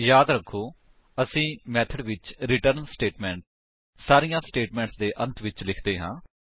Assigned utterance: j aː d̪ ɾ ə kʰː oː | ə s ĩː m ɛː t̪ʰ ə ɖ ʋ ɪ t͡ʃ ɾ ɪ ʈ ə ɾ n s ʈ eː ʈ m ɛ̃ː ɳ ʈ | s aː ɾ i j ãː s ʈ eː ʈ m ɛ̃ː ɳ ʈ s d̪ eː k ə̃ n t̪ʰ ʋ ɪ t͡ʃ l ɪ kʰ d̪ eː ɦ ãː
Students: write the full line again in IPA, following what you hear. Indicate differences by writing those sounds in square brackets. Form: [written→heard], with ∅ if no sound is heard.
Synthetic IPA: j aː d̪ ɾ ə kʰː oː | ə s ĩː m ɛː t̪ʰ ə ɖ ʋ ɪ t͡ʃ ɾ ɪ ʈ ə ɾ n s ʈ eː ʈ m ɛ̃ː ɳ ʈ | s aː ɾ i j ãː s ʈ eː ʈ m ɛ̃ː ɳ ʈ s d̪ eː [k→ʔ] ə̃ n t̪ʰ ʋ ɪ t͡ʃ l ɪ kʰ d̪ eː ɦ ãː